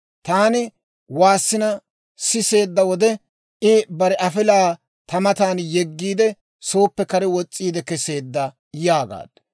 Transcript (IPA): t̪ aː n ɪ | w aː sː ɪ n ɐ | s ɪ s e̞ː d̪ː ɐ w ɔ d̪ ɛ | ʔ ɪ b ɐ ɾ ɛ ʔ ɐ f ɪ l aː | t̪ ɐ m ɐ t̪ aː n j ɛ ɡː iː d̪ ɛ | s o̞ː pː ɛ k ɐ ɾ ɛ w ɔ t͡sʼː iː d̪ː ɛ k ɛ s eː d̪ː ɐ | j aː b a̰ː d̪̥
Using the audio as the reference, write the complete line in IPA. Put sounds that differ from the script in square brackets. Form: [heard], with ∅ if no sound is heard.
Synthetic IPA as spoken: t̪ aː n ɪ | w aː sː ɪ n ɐ | s ɪ s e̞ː d̪ː ɐ w ɔ d̪ ɛ | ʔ ɪ b ɐ ɾ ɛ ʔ ɐ f ɪ l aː | t̪ ɐ m ɐ t̪ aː n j ɛ ɡː iː d̪ ɛ | s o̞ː pː ɛ k ɐ ɾ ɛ w ɔ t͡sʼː iː [d̪] ɛ k ɛ s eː d̪ː ɐ | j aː [ɡ] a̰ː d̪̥